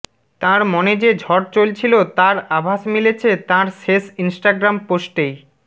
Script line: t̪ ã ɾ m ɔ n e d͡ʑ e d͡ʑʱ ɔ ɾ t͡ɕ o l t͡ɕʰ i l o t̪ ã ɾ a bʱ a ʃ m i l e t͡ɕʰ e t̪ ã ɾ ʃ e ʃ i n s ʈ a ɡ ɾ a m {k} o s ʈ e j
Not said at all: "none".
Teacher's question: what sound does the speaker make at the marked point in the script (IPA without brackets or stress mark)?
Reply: p